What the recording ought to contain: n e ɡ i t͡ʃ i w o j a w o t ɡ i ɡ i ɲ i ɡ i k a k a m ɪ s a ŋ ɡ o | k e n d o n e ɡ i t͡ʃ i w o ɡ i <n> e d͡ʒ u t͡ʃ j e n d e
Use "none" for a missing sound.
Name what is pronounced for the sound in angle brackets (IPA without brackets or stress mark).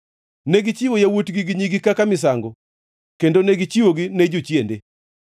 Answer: n